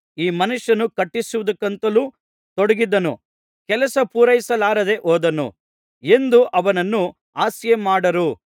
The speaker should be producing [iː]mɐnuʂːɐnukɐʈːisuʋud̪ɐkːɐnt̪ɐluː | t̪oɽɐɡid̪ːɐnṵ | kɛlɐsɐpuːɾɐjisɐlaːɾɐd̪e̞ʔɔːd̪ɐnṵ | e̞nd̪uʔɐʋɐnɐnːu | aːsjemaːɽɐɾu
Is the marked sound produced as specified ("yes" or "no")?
yes